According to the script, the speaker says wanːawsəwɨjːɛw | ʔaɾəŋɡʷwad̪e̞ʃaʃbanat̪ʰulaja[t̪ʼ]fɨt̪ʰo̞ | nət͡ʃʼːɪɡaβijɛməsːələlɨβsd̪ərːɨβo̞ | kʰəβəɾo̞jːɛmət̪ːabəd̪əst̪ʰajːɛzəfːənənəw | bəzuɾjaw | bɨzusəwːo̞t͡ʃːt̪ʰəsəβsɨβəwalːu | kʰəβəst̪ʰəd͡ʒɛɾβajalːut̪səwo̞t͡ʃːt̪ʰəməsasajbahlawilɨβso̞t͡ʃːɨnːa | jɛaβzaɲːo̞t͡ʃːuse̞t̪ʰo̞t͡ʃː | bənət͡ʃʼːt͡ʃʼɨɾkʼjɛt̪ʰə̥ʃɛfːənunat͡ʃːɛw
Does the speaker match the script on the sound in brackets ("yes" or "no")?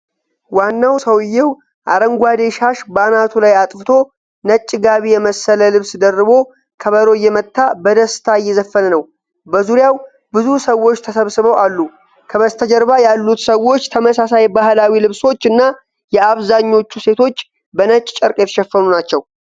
yes